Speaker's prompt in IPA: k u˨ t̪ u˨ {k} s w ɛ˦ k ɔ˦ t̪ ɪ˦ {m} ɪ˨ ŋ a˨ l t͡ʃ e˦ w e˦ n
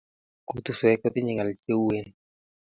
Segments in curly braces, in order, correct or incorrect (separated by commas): incorrect, incorrect